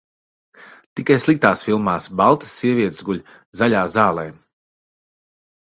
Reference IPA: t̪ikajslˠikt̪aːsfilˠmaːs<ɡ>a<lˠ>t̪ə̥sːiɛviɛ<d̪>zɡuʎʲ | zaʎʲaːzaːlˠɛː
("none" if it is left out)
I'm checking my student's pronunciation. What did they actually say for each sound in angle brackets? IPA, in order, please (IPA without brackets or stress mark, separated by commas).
b, lˠ, t̪